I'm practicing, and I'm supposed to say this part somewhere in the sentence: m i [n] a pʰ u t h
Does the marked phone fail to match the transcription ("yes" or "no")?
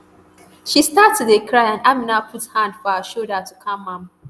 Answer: no